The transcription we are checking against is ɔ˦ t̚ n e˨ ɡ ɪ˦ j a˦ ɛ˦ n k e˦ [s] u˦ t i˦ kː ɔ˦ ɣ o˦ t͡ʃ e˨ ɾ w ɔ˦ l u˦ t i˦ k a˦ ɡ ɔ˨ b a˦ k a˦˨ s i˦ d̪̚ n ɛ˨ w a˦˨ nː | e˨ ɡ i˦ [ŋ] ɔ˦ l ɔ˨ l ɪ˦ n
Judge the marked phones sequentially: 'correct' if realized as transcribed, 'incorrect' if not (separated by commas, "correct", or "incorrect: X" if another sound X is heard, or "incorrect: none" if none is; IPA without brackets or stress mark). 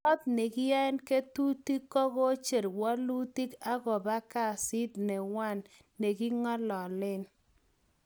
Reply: incorrect: t, correct